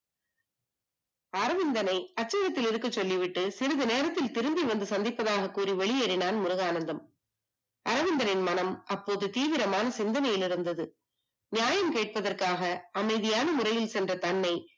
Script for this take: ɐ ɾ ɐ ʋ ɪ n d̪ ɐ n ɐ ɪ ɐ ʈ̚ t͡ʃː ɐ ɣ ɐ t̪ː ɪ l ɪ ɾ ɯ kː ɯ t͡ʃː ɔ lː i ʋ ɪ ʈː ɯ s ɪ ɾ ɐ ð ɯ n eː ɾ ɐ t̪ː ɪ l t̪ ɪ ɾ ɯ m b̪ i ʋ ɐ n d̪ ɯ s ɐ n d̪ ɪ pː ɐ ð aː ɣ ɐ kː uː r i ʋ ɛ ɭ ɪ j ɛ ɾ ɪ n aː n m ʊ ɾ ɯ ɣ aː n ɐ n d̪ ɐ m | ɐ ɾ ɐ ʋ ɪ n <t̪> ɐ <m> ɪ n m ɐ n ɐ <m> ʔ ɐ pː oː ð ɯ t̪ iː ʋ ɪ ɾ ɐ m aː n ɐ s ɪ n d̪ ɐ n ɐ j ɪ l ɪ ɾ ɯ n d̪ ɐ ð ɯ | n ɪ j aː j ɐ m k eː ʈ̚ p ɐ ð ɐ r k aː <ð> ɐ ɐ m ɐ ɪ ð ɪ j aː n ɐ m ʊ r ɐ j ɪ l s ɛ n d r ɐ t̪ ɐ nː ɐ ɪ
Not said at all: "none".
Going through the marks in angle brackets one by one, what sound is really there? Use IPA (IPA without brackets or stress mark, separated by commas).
d̪, n, m, ɣ